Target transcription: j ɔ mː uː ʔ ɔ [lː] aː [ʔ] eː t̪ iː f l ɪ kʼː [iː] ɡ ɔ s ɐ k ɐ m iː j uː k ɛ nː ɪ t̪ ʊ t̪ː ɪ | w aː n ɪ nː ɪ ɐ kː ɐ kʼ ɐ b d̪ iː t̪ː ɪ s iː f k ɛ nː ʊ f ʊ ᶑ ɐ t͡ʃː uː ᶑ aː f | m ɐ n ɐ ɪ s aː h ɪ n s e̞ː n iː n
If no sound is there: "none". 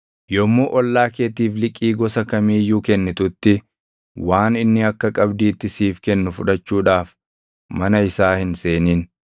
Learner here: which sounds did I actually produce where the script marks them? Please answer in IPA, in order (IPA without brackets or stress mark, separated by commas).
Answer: lː, k, iː